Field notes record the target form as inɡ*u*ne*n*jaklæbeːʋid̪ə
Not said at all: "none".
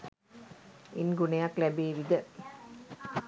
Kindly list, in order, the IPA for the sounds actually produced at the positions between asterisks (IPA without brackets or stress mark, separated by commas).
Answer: u, none